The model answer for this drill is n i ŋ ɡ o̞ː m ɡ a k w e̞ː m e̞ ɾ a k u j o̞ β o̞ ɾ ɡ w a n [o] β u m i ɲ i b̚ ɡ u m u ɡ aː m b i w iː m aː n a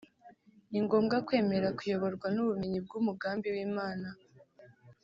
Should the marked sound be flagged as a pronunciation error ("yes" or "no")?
yes